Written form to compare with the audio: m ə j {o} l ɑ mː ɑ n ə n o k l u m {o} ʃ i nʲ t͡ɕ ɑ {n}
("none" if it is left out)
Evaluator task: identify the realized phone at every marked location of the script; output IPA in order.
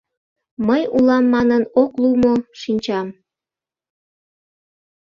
u, o, m

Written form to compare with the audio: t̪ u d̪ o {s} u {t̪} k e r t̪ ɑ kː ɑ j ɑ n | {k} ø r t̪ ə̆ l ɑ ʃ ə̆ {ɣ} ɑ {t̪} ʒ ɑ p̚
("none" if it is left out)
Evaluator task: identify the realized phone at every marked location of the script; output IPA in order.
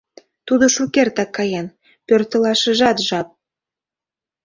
ʃ, none, p, ʒ, t̪

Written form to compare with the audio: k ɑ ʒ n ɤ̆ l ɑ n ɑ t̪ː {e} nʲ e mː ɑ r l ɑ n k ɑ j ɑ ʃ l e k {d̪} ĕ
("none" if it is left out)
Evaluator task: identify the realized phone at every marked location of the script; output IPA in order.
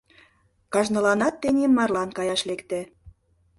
e, t̪

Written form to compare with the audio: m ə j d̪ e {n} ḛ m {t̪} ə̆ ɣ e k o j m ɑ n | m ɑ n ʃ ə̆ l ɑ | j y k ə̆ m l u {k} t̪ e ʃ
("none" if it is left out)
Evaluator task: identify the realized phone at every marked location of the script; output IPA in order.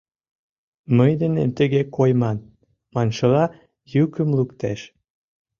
n, t̪, k

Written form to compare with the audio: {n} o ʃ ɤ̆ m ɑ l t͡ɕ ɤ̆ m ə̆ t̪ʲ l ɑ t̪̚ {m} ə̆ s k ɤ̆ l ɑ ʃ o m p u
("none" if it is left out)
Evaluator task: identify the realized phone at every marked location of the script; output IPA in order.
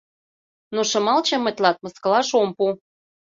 n, m

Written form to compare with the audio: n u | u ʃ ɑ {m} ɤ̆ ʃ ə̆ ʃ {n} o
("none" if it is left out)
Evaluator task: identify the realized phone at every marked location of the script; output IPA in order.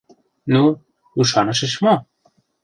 n, m

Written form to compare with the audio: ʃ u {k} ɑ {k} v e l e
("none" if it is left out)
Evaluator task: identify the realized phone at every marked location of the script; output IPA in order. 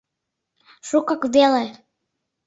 k, k

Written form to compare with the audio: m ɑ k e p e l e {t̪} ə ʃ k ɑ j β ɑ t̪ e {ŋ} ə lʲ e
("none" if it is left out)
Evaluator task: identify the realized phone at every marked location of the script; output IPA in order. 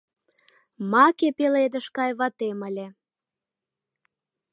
d̪, m

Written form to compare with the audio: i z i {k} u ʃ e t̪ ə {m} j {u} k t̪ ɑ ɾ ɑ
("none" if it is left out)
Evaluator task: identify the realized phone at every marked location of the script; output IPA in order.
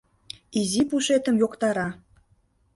p, m, o

